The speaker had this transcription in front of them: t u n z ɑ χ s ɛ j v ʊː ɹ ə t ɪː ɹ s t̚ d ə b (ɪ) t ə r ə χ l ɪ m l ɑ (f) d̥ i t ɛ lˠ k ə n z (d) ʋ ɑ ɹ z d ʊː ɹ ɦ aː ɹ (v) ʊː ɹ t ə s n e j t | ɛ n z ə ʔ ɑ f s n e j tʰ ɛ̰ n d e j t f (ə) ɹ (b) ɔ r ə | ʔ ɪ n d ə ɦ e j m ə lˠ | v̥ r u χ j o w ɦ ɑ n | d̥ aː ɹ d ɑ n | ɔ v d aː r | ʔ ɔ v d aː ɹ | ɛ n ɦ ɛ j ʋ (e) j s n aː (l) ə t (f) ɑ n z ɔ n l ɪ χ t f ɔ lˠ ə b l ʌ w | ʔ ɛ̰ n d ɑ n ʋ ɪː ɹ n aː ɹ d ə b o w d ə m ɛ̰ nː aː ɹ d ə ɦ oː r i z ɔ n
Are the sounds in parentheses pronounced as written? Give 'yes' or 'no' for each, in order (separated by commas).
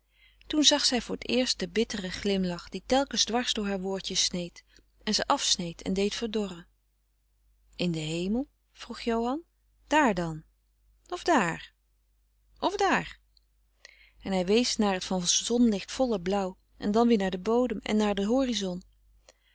yes, no, yes, no, yes, no, yes, no, yes